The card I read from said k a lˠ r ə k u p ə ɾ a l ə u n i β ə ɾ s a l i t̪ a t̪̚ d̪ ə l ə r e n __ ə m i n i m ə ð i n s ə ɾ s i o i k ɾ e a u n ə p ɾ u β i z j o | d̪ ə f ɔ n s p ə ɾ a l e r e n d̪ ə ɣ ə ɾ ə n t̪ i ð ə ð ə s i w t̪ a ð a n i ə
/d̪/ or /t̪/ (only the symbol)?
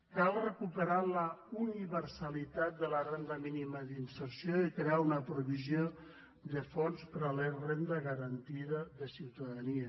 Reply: d̪